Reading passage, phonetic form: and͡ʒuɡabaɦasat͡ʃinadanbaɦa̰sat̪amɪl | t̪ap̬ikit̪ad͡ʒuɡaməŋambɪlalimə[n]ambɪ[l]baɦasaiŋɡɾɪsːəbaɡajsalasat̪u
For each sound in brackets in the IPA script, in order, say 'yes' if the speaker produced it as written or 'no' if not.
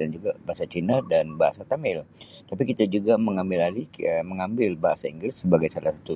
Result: no, yes

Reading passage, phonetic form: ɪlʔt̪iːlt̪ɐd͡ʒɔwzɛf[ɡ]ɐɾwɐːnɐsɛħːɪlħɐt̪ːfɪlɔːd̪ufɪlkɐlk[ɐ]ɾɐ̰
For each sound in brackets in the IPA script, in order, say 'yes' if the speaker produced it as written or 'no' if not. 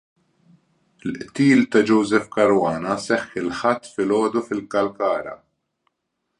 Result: no, no

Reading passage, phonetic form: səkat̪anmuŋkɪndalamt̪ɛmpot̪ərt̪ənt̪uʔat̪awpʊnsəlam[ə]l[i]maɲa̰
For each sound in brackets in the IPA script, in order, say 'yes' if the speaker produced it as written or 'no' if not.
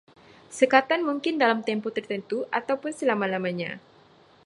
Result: no, no

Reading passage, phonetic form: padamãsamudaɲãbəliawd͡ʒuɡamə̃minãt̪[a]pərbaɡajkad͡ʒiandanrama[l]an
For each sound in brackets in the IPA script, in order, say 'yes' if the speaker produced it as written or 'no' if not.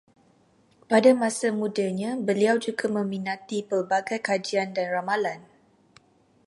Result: no, yes

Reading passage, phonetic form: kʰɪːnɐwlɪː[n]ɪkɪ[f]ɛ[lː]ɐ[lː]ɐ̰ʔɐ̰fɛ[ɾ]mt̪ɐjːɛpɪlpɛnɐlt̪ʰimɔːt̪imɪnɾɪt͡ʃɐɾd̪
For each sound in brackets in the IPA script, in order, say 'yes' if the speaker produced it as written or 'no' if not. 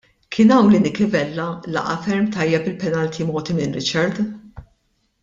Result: yes, no, yes, no, yes

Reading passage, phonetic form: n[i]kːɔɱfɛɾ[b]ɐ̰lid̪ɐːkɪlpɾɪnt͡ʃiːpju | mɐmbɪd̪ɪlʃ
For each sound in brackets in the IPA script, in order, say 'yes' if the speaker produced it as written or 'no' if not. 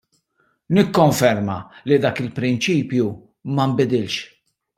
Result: no, no

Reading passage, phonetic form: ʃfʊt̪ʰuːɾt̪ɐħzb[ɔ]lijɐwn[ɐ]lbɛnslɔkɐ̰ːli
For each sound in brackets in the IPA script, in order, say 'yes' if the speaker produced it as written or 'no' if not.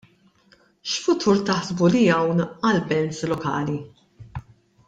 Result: no, yes

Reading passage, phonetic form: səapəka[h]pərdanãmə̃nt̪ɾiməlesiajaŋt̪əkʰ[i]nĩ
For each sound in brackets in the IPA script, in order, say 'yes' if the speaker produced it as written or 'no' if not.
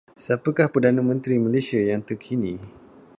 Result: yes, yes

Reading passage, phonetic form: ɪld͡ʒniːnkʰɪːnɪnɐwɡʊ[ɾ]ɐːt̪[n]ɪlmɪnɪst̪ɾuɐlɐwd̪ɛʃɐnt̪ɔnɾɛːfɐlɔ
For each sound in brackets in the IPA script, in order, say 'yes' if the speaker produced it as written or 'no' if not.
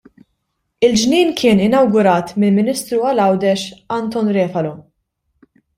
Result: yes, no

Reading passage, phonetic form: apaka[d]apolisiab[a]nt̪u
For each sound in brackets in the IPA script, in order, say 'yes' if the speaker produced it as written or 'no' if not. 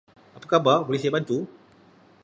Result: no, yes

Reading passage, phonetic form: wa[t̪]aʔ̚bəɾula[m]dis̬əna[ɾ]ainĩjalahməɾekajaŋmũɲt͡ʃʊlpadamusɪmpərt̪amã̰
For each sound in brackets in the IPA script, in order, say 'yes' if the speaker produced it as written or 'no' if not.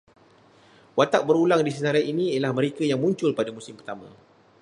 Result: yes, no, yes

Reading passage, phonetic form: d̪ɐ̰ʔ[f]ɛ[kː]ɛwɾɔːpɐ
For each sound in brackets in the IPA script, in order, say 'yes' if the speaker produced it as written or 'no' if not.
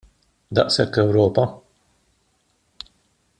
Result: no, yes

